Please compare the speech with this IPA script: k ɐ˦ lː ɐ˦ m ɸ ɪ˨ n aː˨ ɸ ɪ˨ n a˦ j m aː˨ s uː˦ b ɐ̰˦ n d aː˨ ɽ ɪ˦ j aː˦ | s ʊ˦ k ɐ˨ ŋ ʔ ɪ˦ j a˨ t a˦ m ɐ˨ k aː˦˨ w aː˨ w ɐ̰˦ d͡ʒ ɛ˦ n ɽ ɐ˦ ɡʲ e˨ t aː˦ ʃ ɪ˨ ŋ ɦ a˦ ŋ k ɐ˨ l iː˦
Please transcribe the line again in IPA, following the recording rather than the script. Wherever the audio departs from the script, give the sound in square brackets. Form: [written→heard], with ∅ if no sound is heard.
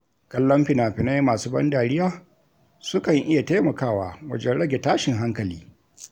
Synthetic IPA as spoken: k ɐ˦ lː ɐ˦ m ɸ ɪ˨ n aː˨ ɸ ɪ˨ n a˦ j m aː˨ s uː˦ b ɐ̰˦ n d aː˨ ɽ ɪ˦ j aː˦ | s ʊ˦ k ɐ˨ ŋ ʔ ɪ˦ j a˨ t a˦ m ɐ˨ k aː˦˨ w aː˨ w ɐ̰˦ d͡ʒ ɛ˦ n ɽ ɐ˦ ɡʲ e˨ t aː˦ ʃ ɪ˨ ŋ ɦ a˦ ŋ k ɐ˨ l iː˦